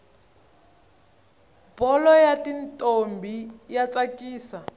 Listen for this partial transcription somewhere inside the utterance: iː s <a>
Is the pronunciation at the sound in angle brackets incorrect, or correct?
correct